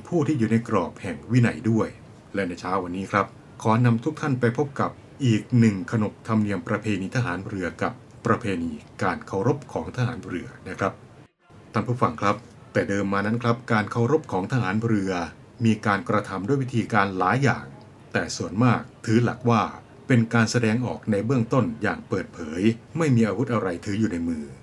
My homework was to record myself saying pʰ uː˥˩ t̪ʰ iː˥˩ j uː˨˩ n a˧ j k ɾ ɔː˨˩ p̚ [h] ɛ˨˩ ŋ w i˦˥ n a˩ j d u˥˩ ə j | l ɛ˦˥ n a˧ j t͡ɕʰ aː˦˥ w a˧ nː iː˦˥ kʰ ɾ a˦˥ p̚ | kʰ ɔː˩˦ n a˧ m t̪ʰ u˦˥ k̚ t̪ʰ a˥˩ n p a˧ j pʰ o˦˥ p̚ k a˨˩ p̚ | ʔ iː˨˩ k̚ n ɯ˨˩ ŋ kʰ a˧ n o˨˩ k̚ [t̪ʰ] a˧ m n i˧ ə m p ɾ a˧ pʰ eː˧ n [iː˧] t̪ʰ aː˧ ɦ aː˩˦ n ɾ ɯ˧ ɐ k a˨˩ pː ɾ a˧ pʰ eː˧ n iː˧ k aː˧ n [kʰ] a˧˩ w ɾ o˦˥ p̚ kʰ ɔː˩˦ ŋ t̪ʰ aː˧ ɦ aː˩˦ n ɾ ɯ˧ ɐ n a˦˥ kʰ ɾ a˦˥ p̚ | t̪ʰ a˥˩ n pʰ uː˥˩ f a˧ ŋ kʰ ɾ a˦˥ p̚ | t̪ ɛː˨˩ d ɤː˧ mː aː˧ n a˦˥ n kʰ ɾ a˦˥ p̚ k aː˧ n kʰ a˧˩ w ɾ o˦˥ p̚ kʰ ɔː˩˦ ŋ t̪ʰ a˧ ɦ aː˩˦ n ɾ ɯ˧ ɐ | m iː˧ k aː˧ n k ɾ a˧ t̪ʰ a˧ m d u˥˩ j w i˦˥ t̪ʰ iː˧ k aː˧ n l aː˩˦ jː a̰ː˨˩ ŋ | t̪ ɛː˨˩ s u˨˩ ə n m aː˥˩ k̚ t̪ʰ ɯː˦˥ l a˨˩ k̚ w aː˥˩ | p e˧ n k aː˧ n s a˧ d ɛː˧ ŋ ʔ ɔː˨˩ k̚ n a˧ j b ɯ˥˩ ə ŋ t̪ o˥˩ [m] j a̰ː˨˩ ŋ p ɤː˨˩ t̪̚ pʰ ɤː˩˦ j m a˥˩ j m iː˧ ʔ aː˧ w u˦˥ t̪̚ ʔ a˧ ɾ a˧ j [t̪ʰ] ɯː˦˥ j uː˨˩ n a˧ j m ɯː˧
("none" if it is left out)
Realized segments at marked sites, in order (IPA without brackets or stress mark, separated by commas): h, t̪ʰ, iː˧, kʰ, n, t̪ʰ